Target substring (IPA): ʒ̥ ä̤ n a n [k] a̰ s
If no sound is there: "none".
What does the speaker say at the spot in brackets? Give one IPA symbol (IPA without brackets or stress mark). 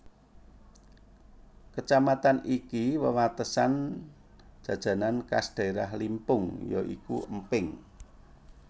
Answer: k